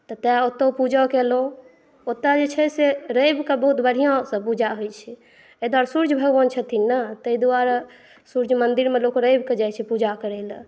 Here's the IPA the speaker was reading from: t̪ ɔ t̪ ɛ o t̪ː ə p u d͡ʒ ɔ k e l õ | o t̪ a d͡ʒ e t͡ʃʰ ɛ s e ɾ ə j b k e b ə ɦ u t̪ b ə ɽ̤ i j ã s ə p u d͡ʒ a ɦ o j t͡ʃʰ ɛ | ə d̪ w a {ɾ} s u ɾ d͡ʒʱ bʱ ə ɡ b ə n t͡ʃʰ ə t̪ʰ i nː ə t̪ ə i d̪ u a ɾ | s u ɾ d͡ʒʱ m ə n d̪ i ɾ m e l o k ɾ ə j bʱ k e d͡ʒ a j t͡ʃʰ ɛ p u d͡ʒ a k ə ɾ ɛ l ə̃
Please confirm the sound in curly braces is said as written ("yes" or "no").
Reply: yes